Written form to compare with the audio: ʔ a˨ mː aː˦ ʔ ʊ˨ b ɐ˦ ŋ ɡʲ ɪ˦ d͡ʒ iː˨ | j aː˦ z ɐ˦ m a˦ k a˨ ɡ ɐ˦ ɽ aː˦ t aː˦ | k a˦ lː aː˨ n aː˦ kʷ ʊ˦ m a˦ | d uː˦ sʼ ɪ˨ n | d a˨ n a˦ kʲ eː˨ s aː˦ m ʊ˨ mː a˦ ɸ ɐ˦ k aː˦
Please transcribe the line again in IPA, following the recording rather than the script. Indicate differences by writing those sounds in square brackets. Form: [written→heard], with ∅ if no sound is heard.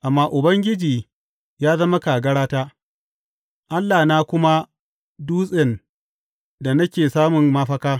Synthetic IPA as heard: ʔ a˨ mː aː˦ ʔ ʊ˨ b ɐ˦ ŋ ɡʲ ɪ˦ d͡ʒ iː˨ | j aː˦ z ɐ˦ m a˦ k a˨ ɡ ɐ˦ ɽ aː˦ t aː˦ | [k→ʔ] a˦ lː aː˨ n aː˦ kʷ ʊ˦ m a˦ | d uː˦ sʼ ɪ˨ n | d a˨ n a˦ kʲ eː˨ s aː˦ m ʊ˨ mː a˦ ɸ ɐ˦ k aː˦